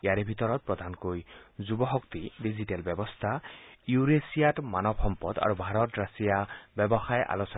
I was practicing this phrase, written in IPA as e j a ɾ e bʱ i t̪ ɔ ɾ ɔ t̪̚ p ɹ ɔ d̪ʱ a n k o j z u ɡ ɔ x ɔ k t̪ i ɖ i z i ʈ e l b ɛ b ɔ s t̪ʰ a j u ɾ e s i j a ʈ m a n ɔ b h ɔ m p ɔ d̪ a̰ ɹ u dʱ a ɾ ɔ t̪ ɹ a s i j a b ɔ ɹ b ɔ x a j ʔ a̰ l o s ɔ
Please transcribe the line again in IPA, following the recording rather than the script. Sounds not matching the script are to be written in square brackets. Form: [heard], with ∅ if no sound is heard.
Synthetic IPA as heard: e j a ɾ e bʱ i t̪ ɔ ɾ ɔ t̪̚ p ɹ ɔ d̪ʱ a n k o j z u [b] ɔ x ɔ k t̪ i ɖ i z i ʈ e l b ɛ b ɔ s t̪ʰ a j u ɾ e s i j a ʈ m a n ɔ b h ɔ m p ɔ d̪ a̰ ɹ u [bʱ] a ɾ ɔ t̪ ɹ a s i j a b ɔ [∅] b ɔ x a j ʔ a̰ l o s ɔ